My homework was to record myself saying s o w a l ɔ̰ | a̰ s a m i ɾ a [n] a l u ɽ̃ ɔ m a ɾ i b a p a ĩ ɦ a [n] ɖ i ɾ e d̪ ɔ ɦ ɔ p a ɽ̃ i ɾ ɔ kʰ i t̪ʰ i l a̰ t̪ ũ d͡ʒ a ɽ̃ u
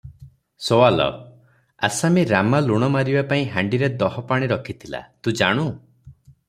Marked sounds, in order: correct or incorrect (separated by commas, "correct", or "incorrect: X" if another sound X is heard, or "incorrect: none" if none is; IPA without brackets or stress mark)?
incorrect: m, incorrect: ɳ